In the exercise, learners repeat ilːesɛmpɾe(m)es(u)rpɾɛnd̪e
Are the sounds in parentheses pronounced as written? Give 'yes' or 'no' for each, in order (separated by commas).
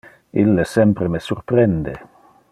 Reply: yes, yes